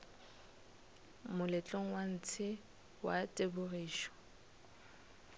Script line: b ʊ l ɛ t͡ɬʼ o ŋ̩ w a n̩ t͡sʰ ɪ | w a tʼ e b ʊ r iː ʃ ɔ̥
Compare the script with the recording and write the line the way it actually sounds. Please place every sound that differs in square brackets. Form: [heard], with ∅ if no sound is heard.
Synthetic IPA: [m] ʊ l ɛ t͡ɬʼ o ŋ̩ w a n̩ t͡sʰ ɪ | w a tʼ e b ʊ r iː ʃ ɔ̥